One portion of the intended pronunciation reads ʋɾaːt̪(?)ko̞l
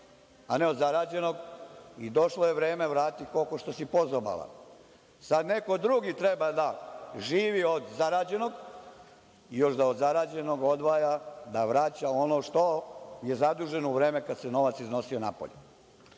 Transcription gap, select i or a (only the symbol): i